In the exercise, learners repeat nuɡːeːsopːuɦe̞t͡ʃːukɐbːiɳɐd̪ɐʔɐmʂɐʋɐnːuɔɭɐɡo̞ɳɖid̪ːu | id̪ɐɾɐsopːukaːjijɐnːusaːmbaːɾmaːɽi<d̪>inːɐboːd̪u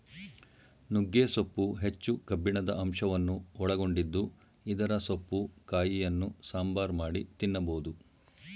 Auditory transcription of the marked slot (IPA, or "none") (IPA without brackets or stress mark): t̪